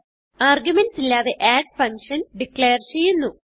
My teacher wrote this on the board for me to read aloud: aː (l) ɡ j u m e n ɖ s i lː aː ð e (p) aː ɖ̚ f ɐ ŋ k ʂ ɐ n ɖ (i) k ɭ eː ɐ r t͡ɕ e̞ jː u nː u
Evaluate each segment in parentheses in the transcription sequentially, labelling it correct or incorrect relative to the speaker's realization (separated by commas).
incorrect, incorrect, correct